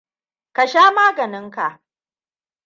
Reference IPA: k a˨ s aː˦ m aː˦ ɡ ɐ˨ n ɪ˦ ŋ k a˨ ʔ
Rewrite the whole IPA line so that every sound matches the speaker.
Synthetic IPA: k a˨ ʃ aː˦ m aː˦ ɡ ɐ˨ n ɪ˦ ŋ k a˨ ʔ